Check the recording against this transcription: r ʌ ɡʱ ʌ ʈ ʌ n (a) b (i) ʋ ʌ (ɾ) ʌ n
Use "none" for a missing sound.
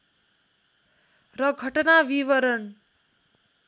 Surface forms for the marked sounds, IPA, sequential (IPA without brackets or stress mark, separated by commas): a, i, ɾ